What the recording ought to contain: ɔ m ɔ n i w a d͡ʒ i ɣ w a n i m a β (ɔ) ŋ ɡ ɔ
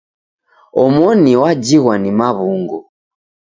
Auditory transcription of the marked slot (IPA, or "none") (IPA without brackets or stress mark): u